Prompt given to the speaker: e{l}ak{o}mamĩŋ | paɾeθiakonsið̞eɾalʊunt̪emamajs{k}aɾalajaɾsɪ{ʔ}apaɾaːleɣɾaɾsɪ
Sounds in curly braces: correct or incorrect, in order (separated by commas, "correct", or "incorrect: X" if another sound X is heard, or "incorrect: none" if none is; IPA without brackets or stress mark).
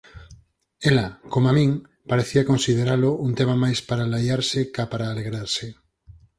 correct, correct, incorrect: p, incorrect: k